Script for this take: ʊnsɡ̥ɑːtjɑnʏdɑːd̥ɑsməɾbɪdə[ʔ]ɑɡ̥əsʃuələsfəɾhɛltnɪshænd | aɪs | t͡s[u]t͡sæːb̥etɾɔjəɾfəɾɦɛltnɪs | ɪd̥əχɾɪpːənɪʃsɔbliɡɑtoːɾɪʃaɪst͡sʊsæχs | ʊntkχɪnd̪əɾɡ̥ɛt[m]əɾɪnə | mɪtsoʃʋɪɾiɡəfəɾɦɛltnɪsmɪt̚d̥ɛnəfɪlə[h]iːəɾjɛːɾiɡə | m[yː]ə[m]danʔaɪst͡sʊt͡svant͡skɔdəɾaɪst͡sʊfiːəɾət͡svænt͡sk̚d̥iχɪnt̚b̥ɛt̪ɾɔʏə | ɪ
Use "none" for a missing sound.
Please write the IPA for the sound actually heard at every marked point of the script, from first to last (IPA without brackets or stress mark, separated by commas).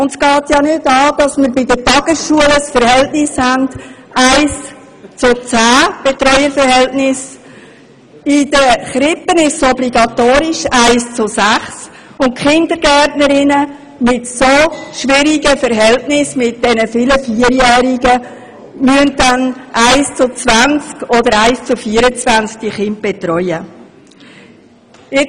t, ʊ, n, f, y, n